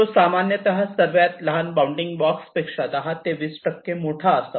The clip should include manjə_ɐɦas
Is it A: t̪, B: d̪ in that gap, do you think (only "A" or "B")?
A